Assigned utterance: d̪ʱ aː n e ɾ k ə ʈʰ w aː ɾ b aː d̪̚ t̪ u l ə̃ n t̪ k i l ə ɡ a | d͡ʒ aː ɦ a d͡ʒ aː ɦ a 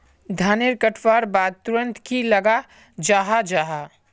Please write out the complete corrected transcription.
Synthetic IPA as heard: d̪ʱ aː n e ɾ k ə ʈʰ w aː ɾ b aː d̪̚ t̪ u ɾ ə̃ n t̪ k i l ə ɡ a | d͡ʒ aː ɦ a d͡ʒ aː ɦ a